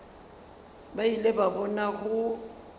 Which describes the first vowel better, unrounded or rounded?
unrounded